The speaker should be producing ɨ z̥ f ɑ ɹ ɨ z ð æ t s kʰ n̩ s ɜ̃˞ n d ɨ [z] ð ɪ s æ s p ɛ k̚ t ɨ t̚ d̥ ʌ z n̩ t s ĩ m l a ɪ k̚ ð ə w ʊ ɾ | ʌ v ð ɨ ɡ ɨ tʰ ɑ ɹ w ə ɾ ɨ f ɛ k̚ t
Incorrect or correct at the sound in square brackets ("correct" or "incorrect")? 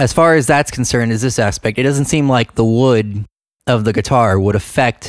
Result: correct